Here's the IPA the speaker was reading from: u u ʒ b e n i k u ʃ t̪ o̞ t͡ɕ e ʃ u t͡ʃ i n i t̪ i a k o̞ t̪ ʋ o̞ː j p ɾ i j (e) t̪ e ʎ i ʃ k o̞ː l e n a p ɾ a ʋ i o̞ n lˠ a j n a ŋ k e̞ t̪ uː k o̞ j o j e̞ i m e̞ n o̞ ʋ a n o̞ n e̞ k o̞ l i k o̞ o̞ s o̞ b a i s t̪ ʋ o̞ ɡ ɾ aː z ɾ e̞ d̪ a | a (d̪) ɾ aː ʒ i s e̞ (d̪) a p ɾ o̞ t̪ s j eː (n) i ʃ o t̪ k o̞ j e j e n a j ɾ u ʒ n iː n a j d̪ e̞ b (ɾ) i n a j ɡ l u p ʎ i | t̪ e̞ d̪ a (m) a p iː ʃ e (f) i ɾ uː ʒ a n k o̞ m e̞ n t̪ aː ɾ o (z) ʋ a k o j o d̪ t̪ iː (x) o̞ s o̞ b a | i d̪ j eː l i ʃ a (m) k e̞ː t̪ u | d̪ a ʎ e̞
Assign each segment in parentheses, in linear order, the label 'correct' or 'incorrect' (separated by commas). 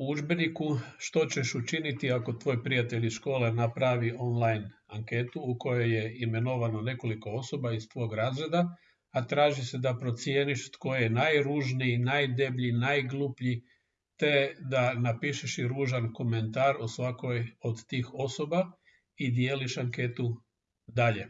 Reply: incorrect, incorrect, correct, correct, incorrect, incorrect, incorrect, incorrect, correct, incorrect